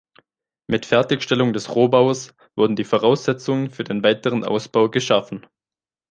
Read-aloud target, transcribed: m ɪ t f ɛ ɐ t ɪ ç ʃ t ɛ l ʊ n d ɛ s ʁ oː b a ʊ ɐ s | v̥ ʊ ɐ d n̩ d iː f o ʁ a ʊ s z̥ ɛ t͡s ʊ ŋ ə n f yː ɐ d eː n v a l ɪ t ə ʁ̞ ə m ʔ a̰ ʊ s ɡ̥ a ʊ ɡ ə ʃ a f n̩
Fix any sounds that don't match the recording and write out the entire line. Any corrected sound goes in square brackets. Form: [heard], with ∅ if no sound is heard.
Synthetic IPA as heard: m ɪ t f ɛ ɐ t ɪ ç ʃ t ɛ l ʊ [ŋ] d ɛ s ʁ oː b a ʊ ɐ s | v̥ ʊ ɐ d n̩ d iː f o ʁ a ʊ s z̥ ɛ t͡s ʊ ŋ ə n f yː ɐ d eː n v a [∅] ɪ t ə ʁ̞ ə [n] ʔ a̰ ʊ s [b̥] a ʊ ɡ ə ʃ a f n̩